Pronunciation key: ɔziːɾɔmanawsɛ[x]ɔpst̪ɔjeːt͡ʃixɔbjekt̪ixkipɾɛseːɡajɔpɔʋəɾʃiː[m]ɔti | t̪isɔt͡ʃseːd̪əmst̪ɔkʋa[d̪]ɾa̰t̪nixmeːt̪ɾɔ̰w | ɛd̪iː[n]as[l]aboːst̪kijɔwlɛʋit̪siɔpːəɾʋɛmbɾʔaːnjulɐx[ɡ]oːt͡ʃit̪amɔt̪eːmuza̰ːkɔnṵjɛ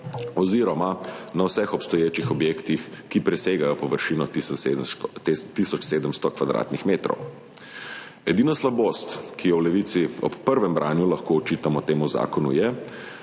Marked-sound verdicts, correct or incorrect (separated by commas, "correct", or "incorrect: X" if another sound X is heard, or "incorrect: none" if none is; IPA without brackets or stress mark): correct, incorrect: n, correct, correct, correct, incorrect: k